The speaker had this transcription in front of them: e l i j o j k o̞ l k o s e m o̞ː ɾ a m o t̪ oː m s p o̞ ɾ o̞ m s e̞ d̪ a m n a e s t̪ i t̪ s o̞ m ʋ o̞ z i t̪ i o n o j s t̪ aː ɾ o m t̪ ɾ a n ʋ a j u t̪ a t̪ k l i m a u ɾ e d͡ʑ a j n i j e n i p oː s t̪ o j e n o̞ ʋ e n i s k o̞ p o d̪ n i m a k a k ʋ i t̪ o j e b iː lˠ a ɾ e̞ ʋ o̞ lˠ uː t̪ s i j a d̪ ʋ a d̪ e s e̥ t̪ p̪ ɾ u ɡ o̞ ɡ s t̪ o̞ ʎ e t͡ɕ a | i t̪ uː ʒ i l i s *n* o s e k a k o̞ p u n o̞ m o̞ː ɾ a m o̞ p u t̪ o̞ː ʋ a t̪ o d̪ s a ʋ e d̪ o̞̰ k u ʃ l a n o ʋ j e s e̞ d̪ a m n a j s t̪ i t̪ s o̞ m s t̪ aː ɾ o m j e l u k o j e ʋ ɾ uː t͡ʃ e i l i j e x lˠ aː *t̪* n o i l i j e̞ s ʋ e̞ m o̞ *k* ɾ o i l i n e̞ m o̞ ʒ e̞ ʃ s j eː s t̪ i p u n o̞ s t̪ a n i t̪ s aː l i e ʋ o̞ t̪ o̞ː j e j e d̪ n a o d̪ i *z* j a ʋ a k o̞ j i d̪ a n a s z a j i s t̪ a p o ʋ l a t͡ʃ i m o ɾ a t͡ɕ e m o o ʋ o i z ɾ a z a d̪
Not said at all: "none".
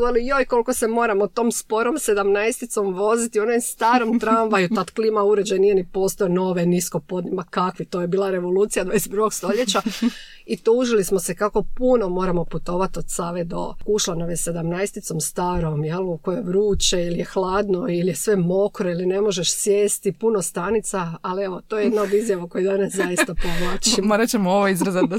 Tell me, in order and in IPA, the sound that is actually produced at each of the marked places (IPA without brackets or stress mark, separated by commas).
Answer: m, d̪, k, z